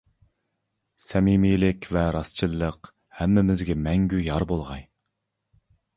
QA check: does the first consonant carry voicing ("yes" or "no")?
no